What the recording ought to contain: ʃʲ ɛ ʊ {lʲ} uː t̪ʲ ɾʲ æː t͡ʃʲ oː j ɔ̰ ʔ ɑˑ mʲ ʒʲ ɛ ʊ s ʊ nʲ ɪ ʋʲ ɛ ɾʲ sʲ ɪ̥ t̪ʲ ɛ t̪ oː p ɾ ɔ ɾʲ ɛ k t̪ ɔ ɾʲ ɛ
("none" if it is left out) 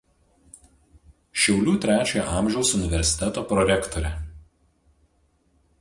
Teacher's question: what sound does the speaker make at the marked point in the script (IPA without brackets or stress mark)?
lʲ